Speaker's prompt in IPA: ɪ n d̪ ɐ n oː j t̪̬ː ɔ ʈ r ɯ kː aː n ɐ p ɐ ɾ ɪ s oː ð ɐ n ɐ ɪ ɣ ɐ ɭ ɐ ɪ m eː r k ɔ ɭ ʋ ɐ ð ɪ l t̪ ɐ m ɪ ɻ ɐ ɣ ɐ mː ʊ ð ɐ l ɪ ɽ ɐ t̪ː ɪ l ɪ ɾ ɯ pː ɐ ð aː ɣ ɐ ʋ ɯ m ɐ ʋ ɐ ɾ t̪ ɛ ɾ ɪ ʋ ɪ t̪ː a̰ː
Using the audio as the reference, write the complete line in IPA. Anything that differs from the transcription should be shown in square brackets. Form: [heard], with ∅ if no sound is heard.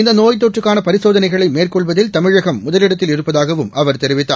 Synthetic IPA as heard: ɪ n d̪ ɐ n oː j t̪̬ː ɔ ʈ r ɯ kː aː n ɐ p ɐ ɾ ɪ s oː ð ɐ n ɐ ɪ ɣ ɐ ɭ ɐ ɪ m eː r k ɔ ɭ ʋ ɐ ð ɪ l t̪ ɐ m ɪ ɻ ɐ ɣ ɐ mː ʊ ð ɐ l ɪ ɽ ɐ t̪ː ɪ l ɪ ɾ ɯ pː ɐ ð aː ɣ ɐ ʋ ɯ m ɐ ʋ ɐ ɾ t̪ ɛ ɾ ɪ ʋ ɪ t̪ː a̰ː